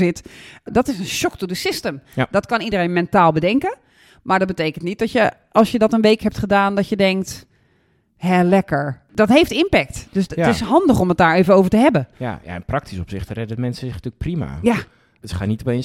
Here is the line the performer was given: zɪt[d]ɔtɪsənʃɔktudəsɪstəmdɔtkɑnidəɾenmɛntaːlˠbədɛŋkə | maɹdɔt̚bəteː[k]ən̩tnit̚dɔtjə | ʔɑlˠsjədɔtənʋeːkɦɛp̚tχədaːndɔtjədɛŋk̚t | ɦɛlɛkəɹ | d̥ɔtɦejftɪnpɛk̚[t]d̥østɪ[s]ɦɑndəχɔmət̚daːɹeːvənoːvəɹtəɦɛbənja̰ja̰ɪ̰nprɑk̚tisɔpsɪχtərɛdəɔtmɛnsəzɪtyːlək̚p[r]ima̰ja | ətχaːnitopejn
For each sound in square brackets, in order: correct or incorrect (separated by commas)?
correct, correct, correct, correct, correct